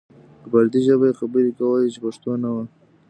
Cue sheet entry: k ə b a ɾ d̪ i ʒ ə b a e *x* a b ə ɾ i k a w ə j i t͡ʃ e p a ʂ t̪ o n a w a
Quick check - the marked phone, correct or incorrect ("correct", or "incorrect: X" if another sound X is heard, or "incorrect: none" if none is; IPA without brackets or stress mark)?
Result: correct